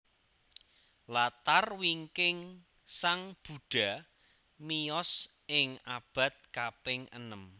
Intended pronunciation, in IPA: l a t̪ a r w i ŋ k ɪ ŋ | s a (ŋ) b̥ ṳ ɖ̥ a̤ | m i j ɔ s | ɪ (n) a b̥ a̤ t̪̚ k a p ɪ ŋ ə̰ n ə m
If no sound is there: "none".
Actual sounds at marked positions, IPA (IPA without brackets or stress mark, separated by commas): ŋ, ŋ